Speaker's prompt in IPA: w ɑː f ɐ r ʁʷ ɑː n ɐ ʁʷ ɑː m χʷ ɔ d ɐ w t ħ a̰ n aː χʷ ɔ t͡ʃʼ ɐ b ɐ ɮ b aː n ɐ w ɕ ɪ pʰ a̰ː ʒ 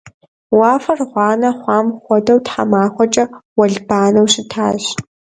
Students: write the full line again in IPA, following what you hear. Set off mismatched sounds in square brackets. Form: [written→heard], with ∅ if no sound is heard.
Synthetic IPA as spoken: w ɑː f ɐ r ʁʷ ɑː n ɐ [ʁʷ→χʷ] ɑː m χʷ ɔ d ɐ w t ħ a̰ [n→m] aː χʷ ɔ t͡ʃʼ ɐ [b→w] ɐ ɮ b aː n ɐ w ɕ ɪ [pʰ→tʰ] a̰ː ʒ